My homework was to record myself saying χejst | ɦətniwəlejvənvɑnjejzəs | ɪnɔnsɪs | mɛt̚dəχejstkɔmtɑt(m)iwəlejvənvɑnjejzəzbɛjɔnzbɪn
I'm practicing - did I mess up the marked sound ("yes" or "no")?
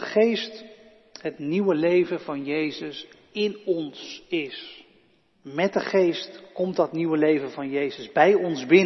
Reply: yes